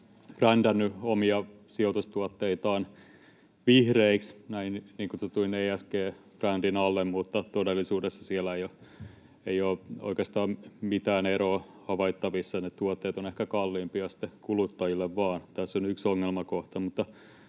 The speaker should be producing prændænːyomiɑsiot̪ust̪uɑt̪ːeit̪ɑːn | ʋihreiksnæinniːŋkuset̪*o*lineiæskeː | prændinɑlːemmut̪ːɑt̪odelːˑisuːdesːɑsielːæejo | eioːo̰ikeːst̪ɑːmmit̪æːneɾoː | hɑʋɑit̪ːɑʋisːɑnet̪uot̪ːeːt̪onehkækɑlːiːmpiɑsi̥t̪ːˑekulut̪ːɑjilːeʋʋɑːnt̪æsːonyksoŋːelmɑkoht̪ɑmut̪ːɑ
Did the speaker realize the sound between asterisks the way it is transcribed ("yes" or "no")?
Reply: no